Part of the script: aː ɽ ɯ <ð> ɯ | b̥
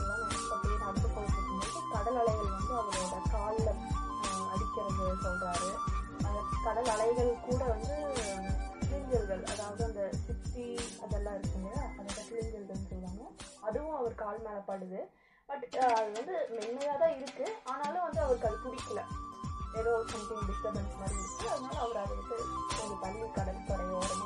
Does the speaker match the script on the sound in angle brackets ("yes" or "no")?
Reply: yes